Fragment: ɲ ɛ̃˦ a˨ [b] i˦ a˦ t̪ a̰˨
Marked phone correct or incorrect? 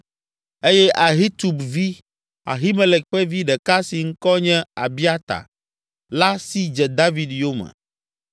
correct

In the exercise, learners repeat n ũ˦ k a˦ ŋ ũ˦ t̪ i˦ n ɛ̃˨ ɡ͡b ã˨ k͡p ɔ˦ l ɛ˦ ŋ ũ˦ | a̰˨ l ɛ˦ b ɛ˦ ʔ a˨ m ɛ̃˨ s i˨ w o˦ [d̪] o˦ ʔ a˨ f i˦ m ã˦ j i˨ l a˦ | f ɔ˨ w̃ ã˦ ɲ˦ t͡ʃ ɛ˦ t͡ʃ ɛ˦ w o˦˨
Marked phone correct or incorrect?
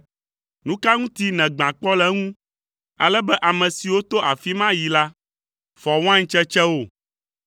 incorrect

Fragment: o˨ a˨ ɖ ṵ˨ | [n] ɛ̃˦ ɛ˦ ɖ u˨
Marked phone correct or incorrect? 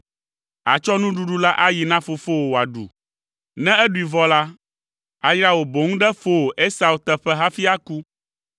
correct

